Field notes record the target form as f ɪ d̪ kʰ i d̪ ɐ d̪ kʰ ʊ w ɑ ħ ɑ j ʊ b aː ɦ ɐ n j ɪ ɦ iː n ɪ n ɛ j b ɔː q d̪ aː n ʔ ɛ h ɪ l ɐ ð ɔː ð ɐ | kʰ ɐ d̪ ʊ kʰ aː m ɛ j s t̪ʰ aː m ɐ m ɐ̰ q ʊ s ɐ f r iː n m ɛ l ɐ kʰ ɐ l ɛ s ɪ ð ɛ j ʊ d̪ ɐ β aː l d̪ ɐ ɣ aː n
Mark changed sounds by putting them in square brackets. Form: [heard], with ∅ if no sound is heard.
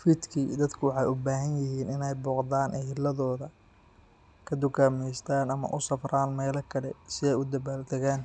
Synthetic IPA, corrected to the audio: f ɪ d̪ kʰ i d̪ ɐ d̪ kʰ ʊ w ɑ ħ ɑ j ʊ b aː ɦ ɐ n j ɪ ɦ iː n ɪ n ɛ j b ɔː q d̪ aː n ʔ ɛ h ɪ l ɐ ð ɔː ð ɐ | kʰ ɐ d̪ ʊ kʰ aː m ɛ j s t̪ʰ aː [n] ɐ m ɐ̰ [ʔ] ʊ s ɐ f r [aː] n m [ɛː] l ɐ kʰ ɐ l ɛ s ɪ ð ɛ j ʊ d̪ ɐ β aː l d̪ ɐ ɣ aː n